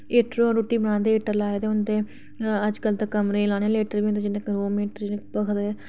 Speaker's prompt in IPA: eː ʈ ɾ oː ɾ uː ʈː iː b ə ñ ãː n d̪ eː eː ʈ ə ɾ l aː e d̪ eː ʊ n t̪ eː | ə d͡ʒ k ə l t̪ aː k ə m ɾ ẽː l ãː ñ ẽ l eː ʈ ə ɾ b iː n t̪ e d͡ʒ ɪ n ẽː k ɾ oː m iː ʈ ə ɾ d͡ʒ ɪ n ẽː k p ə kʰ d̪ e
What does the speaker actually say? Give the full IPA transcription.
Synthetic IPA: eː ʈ ɾ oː ɾ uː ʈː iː b ə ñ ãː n d̪ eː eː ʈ ə ɾ l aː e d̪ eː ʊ n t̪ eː | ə d͡ʒ k ə l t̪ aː k ə m ɾ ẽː l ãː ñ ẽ l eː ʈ ə ɾ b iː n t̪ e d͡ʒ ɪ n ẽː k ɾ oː m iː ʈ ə ɾ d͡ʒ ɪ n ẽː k p ə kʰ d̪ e